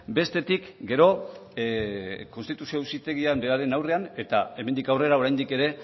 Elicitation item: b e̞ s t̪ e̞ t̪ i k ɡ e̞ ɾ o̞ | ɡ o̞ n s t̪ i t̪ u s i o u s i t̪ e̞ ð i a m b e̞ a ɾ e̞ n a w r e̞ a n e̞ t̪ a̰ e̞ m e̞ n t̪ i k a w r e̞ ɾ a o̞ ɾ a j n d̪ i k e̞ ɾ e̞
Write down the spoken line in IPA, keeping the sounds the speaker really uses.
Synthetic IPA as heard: b e̞ s t̪ e̞ t̪ i k ɡ e̞ ɾ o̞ | k o̞ n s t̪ i t̪ u s i o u s i t̪ e̞ ɣ i a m b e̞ a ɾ e̞ n a w r e̞ a n e̞ t̪ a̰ e̞ m e̞ n d̪ i k a w r e̞ ɾ a o̞ ɾ a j n d̪ i k e̞ ɾ e̞